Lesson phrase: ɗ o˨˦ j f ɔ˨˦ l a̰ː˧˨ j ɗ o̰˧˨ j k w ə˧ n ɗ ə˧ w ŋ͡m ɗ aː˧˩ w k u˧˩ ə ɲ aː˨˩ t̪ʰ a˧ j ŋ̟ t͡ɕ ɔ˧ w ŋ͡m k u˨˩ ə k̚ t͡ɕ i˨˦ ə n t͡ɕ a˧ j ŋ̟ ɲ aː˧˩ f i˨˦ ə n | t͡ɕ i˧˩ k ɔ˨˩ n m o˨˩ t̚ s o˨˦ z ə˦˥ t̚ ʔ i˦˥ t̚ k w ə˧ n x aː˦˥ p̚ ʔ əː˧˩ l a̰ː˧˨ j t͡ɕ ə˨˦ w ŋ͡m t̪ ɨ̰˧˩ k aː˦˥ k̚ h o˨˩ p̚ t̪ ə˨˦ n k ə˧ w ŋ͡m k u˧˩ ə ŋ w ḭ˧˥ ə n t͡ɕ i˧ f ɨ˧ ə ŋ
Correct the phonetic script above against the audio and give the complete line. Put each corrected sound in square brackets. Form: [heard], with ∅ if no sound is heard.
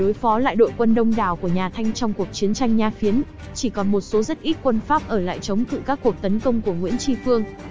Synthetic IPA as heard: ɗ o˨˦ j f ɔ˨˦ l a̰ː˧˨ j ɗ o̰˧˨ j k w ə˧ n ɗ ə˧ w ŋ͡m ɗ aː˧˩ w k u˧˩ ə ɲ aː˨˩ t̪ʰ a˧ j ŋ̟ t͡ɕ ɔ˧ w ŋ͡m k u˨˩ ə k̚ t͡ɕ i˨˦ ə n t͡ɕ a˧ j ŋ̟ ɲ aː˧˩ f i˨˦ ə n | t͡ɕ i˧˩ k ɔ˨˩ n m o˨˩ t̚ s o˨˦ z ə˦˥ t̚ ʔ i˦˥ t̚ k w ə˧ n [f] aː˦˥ p̚ ʔ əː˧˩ l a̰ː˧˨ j t͡ɕ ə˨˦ w ŋ͡m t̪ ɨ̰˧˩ k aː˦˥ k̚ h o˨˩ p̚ t̪ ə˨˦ n k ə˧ w ŋ͡m k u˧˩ ə ŋ w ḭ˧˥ ə n t͡ɕ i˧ f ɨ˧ ə ŋ